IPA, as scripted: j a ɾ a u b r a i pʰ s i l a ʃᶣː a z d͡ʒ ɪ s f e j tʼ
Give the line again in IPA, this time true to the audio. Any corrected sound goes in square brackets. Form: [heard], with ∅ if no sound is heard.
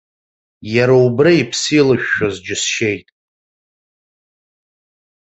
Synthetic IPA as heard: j a ɾ a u b r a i pʰ s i l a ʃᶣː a z d͡ʒ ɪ s [ʃ] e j tʼ